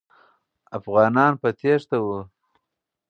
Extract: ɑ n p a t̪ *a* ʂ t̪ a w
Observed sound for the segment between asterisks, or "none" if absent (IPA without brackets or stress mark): e